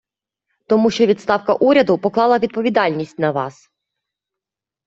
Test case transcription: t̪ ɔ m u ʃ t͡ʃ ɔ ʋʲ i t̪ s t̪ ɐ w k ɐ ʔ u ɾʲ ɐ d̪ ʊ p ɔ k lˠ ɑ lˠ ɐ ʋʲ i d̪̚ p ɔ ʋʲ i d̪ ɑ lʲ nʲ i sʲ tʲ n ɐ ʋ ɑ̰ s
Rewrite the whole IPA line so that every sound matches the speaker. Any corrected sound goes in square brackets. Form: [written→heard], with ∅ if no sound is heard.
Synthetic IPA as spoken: t̪ ɔ m u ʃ t͡ʃ ɔ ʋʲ i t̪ s t̪ [ɐ→ɑ] w k ɐ ʔ u ɾʲ ɐ d̪ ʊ p ɔ k lˠ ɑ lˠ ɐ ʋʲ i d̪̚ p ɔ ʋʲ i d̪ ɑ lʲ nʲ i sʲ tʲ n ɐ ʋ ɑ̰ s